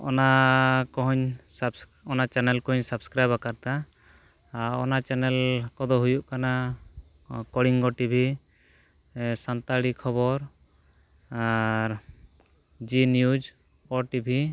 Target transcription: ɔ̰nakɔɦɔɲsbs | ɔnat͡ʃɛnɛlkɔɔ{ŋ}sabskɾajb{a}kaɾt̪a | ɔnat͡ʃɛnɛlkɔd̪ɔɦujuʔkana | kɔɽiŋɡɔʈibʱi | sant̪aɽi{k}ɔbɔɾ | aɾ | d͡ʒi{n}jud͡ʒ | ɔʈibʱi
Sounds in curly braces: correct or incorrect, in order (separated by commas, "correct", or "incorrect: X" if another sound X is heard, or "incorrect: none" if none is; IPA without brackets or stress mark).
incorrect: ɲ, correct, incorrect: kʰ, correct